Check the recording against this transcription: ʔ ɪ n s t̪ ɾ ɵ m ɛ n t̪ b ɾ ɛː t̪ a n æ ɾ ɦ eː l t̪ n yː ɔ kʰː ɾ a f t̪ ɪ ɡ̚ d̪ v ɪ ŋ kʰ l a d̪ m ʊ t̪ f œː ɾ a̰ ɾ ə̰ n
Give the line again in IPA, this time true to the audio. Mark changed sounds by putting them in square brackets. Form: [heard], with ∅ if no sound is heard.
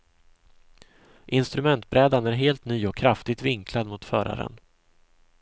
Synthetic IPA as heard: ʔ ɪ n s t̪ ɾ ɵ m ɛ n t̪ b ɾ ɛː [d̪] a n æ ɾ ɦ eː l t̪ n yː ɔ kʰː ɾ a f t̪ ɪ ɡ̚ [t̪] v ɪ ŋ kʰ l a d̪ m ʊ t̪ f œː ɾ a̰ ɾ ə̰ n